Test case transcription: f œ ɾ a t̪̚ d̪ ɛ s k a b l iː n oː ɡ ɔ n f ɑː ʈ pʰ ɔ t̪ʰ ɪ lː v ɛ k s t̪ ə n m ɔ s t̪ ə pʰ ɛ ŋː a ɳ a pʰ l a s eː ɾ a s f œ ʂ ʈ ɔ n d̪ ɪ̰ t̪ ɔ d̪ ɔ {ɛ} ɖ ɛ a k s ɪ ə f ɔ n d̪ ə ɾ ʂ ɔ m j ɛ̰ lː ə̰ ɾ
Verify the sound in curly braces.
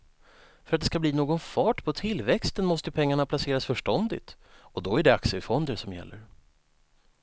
incorrect: æ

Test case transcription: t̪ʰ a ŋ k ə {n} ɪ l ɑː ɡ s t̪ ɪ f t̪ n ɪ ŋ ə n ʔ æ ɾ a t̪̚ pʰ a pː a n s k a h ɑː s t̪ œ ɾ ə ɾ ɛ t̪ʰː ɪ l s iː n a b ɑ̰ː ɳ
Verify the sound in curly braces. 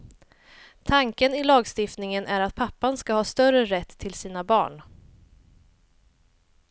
correct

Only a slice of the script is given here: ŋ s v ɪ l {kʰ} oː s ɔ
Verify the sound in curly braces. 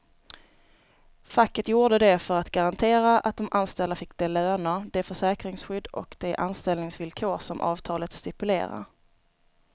correct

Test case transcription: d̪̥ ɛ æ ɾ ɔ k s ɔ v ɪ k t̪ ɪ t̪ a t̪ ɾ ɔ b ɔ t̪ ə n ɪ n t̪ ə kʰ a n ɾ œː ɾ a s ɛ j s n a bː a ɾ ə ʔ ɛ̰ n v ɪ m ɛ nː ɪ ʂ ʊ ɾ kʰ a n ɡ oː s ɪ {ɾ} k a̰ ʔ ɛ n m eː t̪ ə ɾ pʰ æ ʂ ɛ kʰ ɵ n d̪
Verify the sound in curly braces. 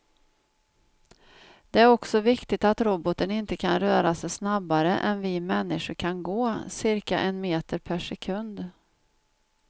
correct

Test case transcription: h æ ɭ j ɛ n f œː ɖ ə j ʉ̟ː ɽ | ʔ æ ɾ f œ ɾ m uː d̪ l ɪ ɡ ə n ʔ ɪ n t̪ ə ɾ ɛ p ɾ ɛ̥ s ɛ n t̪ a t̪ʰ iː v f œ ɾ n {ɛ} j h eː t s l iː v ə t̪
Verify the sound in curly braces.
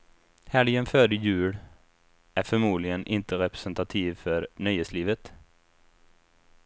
incorrect: œ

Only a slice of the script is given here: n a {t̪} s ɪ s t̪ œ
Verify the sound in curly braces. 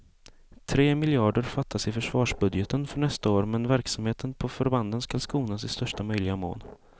incorrect: none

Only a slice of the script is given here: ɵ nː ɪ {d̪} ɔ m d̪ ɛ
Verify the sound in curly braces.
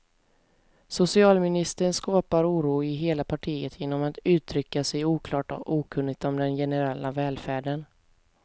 incorrect: t̪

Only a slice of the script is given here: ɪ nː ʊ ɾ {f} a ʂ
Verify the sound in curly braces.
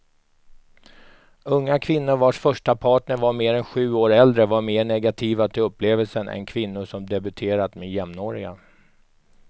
incorrect: v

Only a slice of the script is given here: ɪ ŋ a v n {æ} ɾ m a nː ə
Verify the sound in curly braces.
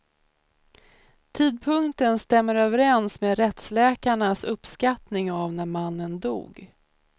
correct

